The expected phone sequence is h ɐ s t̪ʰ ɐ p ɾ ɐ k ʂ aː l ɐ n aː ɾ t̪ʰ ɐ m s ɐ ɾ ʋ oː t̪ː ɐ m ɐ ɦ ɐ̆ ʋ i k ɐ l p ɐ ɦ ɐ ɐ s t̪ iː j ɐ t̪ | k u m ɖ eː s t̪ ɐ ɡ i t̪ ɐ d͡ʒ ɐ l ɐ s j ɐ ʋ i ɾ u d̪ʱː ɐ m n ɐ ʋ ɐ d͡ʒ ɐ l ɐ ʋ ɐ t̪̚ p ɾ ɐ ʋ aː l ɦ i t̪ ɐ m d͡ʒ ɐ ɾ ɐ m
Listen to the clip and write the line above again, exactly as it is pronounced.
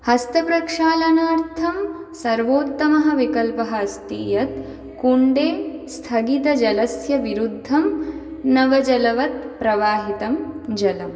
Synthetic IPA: h ɐ s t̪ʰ ɐ p ɾ ɐ k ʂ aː l ɐ n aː ɾ t̪ʰ ɐ m s ɐ ɾ ʋ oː t̪ː ɐ m ɐ ɦ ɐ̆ ʋ i k ɐ l p ɐ ɦ ɐ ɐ s t̪ iː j ɐ t̪ | k u ɳ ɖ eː s t̪ʰ ɐ ɡ i t̪ ɐ d͡ʒ ɐ l ɐ s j ɐ ʋ i ɾ u d̪ʱː ɐ m n ɐ ʋ ɐ d͡ʒ ɐ l ɐ ʋ ɐ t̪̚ p ɾ ɐ ʋ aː ɦ i t̪ ɐ m d͡ʒ ɐ l ɐ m